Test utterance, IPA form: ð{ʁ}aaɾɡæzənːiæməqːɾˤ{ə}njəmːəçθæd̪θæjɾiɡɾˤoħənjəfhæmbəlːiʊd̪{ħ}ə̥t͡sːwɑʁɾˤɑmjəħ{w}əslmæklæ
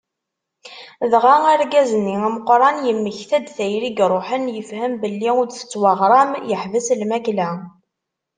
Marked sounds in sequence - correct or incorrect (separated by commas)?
correct, incorrect, incorrect, incorrect